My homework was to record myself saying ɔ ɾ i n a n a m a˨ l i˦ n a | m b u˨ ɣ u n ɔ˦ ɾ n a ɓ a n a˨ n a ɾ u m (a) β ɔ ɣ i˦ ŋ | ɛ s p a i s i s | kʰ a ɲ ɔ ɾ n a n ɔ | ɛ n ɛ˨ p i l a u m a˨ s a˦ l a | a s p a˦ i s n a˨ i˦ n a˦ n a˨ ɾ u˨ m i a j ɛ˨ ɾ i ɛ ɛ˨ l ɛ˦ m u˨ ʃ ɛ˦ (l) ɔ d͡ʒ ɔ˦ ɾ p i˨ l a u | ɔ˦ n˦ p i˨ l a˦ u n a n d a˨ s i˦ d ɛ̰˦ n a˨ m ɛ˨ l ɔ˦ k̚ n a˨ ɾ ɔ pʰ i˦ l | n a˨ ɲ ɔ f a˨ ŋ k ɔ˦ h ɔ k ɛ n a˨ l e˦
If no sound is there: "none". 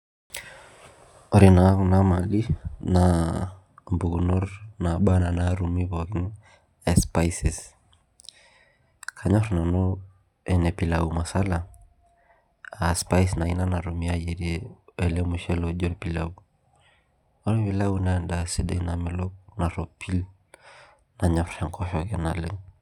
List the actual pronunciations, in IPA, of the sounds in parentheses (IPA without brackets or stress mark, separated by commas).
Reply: i, l